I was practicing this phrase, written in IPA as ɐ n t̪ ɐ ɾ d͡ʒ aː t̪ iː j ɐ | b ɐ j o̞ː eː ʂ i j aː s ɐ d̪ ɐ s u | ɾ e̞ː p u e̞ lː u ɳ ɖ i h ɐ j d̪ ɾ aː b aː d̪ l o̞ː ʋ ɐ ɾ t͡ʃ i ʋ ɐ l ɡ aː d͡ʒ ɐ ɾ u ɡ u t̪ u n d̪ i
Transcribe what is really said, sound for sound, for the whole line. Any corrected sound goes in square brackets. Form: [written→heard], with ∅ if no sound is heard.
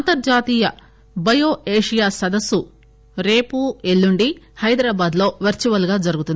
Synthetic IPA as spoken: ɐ n t̪ ɐ ɾ d͡ʒ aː t̪ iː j ɐ | b ɐ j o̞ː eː ʂ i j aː s ɐ d̪ ɐ s u | ɾ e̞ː p u e̞ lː u ɳ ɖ i h ɐ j d̪ ɾ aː b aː d̪ l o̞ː ʋ ɐ ɾ t͡ʃ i ʋ ɐ l ɡ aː d͡ʒ ɐ ɾ u ɡ u t̪ u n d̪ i